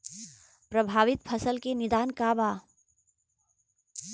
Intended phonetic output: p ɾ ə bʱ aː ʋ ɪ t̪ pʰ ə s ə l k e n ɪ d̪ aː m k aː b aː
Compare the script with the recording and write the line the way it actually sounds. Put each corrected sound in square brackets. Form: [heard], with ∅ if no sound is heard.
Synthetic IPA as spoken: p ɾ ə bʱ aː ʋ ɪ t̪ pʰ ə s ə l k e n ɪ d̪ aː [n] k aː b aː